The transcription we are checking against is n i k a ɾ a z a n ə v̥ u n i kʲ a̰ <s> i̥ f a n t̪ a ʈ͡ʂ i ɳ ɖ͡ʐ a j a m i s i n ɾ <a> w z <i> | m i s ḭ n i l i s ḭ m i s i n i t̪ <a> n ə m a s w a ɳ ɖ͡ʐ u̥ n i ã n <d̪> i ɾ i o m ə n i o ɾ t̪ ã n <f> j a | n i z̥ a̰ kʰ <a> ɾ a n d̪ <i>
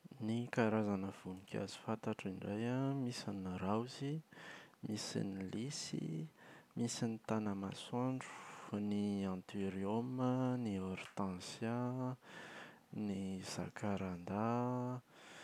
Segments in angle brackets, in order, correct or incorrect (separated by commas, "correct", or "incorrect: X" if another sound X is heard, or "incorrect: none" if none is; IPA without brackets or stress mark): incorrect: z, correct, correct, correct, incorrect: t̪, incorrect: s, correct, incorrect: a